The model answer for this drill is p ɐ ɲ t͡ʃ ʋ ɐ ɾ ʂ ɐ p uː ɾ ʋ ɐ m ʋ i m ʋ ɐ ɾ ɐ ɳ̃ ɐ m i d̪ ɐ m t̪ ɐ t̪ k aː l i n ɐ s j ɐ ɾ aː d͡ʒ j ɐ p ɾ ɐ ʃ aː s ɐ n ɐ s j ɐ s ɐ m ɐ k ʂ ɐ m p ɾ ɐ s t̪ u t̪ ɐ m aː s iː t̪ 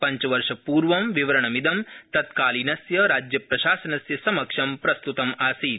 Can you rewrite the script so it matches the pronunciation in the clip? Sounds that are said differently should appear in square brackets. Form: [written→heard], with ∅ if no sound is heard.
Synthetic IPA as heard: p ɐ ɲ t͡ʃ ʋ ɐ ɾ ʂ ɐ p uː ɾ ʋ ɐ m ʋ i [m→∅] ʋ ɐ ɾ ɐ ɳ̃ ɐ m i d̪ ɐ m t̪ ɐ t̪ k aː l i n ɐ s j ɐ ɾ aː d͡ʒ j ɐ p ɾ ɐ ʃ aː s ɐ n ɐ s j ɐ s ɐ m ɐ k ʂ ɐ m p ɾ ɐ s t̪ u t̪ ɐ m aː s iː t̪